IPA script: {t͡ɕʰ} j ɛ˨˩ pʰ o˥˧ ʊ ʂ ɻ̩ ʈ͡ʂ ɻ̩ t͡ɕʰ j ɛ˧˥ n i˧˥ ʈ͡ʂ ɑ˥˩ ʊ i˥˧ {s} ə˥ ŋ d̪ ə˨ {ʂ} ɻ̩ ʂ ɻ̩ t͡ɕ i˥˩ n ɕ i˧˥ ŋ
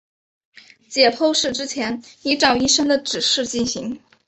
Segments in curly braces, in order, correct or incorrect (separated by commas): incorrect, incorrect, incorrect